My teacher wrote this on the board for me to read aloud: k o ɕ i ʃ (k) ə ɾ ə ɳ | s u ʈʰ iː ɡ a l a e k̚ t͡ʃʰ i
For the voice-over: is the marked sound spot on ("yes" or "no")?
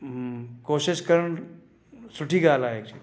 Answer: yes